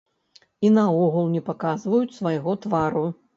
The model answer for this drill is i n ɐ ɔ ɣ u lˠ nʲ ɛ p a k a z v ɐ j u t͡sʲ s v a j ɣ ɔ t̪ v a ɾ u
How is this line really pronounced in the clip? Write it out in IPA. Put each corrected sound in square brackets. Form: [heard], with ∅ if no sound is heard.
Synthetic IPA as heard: i n ɐ ɔ ɣ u lˠ nʲ ɛ p a k a z v ɐ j u t͡sʲ s v a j ɣ ɔ t̪ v a ɾ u